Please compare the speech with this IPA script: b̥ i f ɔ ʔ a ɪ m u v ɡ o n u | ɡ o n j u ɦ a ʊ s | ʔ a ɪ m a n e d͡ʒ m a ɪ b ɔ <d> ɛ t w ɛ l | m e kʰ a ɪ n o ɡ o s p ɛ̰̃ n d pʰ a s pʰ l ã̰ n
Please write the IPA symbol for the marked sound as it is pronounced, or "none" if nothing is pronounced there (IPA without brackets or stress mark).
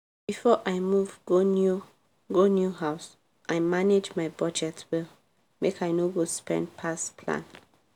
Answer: d͡ʒ